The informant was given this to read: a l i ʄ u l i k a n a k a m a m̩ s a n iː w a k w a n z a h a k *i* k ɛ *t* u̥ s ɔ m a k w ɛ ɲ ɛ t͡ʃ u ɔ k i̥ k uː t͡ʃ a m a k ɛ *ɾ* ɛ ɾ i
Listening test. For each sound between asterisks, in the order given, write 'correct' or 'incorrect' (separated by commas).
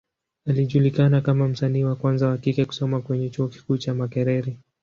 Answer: correct, incorrect, correct